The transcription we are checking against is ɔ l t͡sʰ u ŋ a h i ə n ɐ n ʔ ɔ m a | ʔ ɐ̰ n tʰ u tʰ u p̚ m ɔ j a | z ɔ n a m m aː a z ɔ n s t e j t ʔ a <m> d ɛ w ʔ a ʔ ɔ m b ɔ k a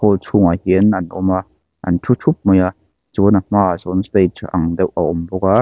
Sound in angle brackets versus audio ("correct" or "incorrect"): incorrect